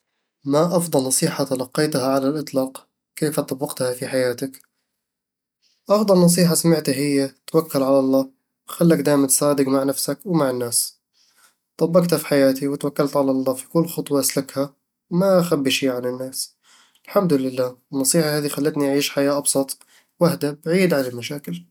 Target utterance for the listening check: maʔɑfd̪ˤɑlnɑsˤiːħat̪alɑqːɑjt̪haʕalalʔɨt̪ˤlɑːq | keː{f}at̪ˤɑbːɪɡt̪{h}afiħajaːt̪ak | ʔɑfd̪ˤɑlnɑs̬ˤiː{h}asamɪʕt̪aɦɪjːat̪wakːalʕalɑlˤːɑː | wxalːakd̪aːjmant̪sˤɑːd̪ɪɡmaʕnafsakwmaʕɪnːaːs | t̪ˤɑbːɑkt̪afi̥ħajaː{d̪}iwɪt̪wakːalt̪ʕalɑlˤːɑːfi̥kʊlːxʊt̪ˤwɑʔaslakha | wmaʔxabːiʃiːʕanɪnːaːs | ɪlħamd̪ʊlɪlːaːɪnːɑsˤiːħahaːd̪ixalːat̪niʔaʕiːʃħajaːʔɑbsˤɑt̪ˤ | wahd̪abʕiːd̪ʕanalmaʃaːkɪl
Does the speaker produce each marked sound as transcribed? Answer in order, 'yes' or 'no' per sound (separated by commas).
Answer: yes, yes, no, no